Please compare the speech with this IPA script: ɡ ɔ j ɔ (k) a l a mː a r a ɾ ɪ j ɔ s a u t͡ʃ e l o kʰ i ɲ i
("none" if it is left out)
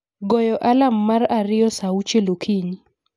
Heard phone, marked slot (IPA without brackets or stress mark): ʔ